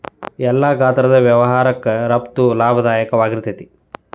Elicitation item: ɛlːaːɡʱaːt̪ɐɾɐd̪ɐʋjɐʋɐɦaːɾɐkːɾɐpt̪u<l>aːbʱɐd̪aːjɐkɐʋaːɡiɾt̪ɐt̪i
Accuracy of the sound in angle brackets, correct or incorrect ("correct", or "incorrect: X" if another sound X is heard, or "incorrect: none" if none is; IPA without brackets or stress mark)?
correct